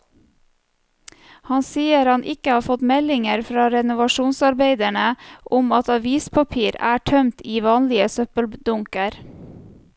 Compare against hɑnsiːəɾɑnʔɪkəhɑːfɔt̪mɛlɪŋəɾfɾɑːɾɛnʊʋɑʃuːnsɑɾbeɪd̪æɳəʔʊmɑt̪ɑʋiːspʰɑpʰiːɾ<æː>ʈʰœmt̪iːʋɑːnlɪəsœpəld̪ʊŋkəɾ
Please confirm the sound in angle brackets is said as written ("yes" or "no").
yes